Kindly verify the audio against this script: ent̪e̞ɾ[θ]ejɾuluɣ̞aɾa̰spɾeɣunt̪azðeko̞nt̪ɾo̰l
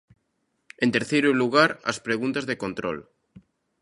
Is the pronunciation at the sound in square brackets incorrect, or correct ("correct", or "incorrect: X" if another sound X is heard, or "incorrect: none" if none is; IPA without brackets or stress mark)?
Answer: correct